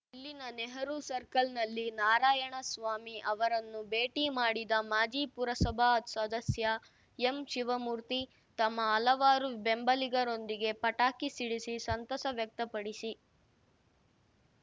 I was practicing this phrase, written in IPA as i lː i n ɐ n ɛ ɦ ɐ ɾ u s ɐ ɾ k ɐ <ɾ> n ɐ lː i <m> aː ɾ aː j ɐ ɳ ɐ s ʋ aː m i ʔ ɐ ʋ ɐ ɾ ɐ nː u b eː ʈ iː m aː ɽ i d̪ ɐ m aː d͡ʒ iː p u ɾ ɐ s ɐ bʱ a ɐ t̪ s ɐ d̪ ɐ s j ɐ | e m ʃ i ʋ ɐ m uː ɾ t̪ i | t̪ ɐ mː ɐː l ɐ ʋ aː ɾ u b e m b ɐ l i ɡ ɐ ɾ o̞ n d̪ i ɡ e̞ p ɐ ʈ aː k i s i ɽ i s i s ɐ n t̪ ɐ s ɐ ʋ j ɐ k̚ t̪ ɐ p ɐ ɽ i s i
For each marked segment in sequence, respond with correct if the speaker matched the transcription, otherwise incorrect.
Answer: incorrect: l, incorrect: n

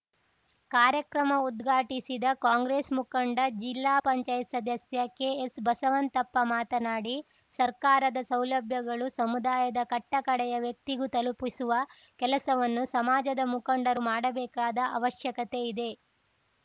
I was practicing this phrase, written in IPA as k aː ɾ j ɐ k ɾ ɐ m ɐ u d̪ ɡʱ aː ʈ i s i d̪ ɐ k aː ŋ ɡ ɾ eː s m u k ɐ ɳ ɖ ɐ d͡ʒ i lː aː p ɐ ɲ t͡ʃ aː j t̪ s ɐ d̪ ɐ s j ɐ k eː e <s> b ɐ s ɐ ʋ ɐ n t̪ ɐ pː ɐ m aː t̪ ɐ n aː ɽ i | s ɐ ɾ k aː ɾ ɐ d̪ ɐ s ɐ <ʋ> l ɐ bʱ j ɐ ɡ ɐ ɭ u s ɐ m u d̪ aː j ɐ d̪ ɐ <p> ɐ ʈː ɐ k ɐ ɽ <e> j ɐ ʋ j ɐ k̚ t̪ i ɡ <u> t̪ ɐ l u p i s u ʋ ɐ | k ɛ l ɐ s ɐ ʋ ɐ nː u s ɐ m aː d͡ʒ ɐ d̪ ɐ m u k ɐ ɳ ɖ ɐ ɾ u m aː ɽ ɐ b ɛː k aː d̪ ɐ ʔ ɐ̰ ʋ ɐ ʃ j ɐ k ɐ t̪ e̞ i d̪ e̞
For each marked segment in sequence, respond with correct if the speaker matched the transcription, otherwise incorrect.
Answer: correct, incorrect: w, incorrect: k, incorrect: ɛ, correct

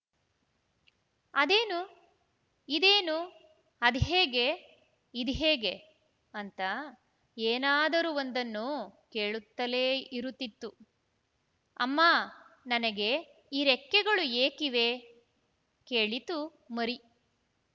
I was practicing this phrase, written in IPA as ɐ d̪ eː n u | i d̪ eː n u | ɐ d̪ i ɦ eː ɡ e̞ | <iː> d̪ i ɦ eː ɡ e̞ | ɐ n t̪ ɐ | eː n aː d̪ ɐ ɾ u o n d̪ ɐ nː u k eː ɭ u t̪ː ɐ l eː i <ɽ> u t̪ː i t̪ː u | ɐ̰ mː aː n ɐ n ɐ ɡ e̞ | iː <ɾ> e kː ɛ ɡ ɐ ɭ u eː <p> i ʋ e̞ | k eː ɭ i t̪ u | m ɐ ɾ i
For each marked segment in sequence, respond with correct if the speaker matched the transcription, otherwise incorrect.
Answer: incorrect: i, incorrect: ɾ, correct, incorrect: k

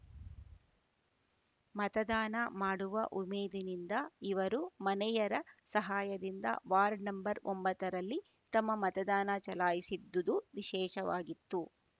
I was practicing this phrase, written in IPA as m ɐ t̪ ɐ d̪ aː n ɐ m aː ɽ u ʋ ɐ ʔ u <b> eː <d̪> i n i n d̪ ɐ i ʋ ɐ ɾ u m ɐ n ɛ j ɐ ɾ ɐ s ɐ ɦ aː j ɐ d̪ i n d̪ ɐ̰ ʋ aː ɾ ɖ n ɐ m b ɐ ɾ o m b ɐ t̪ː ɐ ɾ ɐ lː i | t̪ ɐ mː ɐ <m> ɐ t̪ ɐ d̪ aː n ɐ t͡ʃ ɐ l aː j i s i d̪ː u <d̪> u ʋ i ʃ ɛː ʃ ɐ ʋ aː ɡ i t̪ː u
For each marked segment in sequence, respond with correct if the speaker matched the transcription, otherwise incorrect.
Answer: incorrect: m, correct, correct, correct

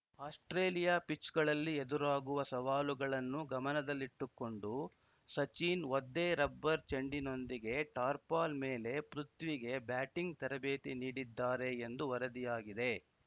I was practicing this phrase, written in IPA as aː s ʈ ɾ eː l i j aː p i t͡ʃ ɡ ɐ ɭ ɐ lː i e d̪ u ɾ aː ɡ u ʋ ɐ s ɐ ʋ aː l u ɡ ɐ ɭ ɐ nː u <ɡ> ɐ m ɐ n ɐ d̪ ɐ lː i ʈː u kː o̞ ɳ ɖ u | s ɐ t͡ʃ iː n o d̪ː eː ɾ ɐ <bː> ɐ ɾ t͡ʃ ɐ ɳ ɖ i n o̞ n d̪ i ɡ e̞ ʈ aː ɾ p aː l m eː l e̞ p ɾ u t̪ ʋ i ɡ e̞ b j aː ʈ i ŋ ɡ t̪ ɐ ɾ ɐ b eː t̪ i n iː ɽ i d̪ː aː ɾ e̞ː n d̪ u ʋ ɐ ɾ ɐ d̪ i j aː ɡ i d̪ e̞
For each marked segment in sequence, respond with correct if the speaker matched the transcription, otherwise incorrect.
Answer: correct, correct

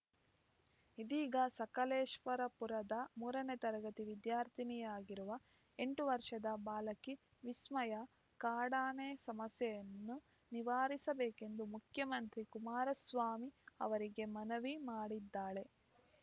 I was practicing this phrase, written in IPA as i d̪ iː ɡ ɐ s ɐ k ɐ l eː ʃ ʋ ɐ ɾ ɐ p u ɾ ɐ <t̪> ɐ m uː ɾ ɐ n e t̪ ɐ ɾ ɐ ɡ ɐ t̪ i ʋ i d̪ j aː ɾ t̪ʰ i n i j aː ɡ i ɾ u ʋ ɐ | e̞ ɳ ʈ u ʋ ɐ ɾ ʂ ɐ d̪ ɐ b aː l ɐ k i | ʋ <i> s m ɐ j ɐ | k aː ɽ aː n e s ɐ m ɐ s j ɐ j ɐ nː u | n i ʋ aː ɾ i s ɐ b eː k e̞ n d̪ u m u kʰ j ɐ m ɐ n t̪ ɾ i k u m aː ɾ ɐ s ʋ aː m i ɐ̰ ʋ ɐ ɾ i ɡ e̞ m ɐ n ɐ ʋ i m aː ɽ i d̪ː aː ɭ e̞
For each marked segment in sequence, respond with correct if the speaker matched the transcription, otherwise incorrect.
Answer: incorrect: d̪, correct

